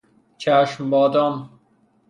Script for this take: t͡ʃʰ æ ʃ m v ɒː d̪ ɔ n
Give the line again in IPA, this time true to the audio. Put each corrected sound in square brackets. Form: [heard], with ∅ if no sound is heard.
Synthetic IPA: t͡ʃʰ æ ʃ m [b] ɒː d̪ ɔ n